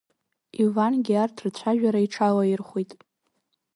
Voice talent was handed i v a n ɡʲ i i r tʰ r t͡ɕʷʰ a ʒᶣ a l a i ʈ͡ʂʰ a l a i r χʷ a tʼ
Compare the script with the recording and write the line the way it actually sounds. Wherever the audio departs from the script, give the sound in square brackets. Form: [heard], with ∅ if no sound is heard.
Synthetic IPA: i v a n ɡʲ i [a] r tʰ r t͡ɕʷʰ a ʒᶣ a [ɾ] a i ʈ͡ʂʰ a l a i r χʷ [i] tʼ